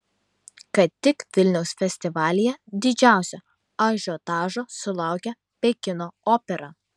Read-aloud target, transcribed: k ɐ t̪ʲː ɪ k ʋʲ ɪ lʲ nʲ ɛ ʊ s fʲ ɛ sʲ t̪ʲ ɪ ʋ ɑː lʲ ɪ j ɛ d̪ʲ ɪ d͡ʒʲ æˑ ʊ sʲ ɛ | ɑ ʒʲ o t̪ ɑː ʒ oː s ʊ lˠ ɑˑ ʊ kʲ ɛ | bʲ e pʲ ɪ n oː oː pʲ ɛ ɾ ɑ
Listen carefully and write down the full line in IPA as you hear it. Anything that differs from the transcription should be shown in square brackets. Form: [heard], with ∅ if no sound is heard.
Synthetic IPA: k ɐ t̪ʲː ɪ k ʋʲ ɪ lʲ nʲ ɛ ʊ s fʲ ɛ sʲ t̪ʲ ɪ ʋ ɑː lʲ ɪ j ɛ d̪ʲ ɪ d͡ʒʲ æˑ ʊ sʲ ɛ | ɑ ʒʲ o t̪ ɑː ʒ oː s ʊ lˠ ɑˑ ʊ kʲ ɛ | [pʲ] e [kʲ] ɪ n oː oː pʲ ɛ ɾ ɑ